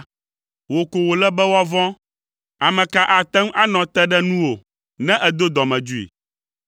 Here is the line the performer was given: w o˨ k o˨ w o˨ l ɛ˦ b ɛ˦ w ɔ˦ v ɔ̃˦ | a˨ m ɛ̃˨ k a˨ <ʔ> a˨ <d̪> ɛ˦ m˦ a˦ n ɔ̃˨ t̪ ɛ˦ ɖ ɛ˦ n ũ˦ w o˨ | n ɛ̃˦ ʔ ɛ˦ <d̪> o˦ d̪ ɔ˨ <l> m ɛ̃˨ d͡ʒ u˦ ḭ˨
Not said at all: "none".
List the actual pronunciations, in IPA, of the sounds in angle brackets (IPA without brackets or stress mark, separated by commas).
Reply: ʔ, t̪, d̪, none